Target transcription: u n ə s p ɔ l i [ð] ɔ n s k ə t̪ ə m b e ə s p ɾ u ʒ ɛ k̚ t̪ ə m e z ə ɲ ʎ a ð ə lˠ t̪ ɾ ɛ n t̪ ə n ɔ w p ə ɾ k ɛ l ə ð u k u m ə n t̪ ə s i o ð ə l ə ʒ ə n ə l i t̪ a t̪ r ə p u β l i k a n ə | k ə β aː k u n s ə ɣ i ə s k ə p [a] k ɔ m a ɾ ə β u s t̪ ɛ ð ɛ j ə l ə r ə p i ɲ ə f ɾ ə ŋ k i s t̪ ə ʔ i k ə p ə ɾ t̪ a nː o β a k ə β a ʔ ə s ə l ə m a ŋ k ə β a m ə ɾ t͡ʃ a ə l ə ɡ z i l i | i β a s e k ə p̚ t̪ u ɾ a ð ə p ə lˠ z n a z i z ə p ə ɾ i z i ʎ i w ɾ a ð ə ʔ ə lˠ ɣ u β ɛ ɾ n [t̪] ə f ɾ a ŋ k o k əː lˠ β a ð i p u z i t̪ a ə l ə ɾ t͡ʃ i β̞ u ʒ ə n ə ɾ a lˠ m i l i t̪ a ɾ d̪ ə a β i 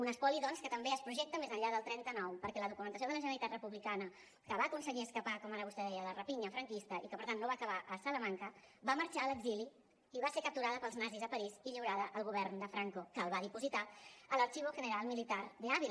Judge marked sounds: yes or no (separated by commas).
yes, yes, no